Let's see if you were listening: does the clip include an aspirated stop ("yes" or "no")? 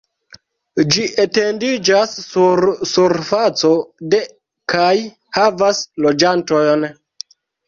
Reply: no